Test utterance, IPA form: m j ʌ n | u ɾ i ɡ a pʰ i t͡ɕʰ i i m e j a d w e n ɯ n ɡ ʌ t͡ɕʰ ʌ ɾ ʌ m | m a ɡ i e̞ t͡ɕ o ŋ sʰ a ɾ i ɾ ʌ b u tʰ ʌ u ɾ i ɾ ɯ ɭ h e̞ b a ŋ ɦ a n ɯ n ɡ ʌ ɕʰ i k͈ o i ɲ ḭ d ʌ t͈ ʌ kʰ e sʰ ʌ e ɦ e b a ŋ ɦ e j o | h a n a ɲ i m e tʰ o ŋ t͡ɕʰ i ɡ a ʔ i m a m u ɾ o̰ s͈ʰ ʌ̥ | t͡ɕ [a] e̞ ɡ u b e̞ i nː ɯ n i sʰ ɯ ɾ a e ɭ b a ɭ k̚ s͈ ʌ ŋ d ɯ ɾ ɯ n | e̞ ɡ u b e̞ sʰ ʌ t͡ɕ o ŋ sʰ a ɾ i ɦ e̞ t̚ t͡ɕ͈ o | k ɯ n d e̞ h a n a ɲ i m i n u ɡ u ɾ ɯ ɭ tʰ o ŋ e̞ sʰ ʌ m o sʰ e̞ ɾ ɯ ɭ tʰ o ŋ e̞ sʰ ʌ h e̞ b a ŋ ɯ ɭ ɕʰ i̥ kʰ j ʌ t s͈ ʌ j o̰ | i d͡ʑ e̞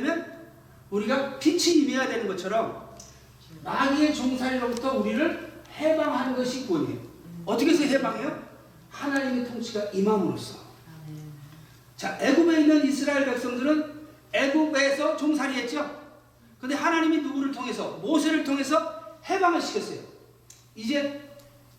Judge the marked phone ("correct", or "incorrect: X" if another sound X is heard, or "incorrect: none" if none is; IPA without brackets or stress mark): correct